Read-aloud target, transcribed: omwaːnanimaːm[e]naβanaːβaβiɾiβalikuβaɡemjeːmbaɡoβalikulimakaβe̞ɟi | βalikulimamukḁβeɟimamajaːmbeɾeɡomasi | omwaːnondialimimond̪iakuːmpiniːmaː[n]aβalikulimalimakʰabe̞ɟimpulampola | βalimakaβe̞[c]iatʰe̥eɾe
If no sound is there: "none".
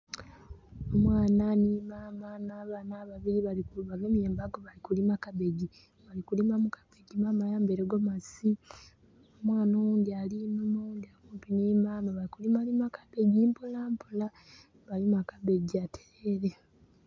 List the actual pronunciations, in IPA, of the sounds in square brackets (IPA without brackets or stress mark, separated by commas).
a, m, ɟ